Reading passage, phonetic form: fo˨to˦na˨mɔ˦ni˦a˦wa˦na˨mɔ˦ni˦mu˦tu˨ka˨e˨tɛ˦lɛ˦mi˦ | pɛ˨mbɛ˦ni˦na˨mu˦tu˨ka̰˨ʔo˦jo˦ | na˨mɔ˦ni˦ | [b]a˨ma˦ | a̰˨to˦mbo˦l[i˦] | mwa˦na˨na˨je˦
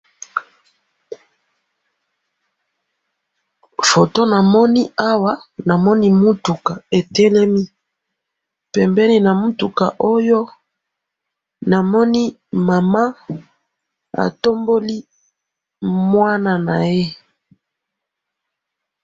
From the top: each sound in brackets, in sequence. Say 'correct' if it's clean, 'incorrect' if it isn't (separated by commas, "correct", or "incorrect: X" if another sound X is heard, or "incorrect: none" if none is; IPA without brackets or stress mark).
incorrect: m, correct